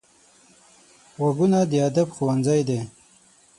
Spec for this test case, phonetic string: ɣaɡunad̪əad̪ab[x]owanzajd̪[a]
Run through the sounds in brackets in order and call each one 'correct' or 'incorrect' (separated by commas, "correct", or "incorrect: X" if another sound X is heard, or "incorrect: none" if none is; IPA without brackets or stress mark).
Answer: correct, incorrect: e